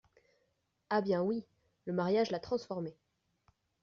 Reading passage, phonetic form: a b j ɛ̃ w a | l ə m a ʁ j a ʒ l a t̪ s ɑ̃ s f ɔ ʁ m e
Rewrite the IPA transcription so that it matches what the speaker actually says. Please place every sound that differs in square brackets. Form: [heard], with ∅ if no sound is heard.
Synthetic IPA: a b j ɛ̃ w [i] | l ə m a ʁ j a ʒ l a t̪ [χ] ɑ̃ s f ɔ ʁ m e